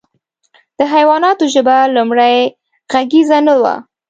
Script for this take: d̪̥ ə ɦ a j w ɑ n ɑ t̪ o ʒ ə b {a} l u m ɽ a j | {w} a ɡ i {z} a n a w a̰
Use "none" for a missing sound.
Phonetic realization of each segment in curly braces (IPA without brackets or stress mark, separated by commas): a, ɣ, z